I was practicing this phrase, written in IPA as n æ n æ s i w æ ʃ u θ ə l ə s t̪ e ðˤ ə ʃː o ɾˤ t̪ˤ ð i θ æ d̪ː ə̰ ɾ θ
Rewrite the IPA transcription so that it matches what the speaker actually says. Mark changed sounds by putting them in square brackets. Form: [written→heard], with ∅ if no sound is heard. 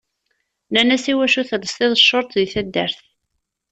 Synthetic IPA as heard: n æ n æ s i w æ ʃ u θ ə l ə s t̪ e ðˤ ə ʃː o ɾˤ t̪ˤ ð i θ æ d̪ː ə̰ ɾ θ